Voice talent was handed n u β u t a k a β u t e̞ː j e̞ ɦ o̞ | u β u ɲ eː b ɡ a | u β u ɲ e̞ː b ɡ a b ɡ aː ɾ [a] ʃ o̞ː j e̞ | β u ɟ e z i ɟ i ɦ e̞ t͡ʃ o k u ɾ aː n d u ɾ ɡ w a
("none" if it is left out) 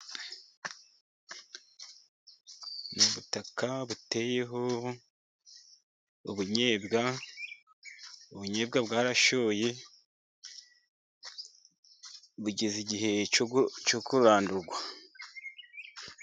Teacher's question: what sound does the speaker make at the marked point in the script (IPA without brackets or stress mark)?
a